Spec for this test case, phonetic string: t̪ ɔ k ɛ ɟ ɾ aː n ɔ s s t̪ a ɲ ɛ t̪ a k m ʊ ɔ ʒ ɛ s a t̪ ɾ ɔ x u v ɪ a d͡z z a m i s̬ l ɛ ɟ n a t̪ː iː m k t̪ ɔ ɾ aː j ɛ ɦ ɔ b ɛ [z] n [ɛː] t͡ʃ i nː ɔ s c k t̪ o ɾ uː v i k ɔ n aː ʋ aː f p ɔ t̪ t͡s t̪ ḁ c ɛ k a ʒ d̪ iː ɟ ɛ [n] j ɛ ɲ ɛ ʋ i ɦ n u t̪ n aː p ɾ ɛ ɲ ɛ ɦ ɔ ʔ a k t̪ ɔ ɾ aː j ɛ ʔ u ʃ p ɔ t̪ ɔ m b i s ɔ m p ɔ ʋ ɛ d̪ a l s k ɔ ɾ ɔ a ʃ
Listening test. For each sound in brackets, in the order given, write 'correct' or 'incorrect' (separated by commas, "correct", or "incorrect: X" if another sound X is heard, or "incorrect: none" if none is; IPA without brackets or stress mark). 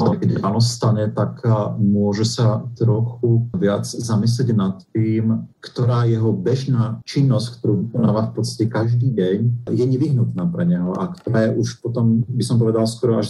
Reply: incorrect: ʒ, incorrect: aː, incorrect: ɲ